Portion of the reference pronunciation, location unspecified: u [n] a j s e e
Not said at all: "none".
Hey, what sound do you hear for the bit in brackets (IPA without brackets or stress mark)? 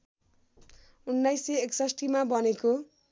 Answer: nː